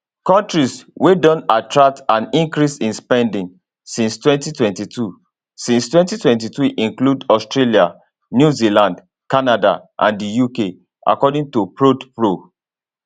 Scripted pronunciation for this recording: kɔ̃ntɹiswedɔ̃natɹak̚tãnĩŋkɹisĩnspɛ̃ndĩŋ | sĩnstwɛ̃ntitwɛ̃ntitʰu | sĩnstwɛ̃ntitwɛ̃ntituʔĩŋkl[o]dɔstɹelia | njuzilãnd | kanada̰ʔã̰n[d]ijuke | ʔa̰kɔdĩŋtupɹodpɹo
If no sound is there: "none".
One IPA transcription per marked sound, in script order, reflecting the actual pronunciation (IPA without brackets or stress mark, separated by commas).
u, d